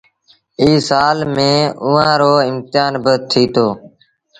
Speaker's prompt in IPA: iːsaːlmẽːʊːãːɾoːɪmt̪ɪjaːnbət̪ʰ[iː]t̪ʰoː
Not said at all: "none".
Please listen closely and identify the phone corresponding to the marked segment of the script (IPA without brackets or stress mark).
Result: iː